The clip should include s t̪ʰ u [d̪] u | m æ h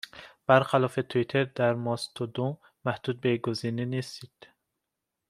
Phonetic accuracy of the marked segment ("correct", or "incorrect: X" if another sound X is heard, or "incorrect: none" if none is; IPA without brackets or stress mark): correct